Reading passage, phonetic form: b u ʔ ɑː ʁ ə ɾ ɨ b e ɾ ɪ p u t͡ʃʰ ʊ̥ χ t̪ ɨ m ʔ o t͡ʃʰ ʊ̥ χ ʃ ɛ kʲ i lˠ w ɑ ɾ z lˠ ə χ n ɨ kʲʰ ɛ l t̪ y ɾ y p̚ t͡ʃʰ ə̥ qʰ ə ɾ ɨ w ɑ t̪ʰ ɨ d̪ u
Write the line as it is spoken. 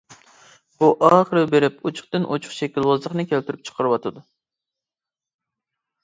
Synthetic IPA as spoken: b u ʔ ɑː χ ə ɾ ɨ b e ɾ ɪ p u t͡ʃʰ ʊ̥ χ t̪ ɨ n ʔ o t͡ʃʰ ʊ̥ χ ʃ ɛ kʲ i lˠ w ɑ z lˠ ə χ n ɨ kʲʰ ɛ l t̪ y ɾ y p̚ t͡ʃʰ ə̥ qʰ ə ɾ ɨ w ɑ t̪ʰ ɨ d̪ u